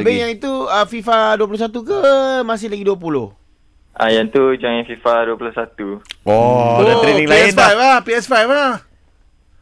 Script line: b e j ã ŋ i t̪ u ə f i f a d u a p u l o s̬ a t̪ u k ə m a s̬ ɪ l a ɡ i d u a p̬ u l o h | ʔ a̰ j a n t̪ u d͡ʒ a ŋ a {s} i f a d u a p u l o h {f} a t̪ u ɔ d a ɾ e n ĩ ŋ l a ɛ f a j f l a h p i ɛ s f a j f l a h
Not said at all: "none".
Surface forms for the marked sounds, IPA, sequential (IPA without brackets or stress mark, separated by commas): f, s